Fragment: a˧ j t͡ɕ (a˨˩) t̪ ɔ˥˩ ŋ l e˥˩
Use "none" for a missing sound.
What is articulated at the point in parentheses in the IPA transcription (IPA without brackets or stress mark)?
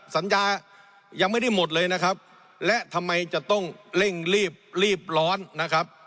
a˨˩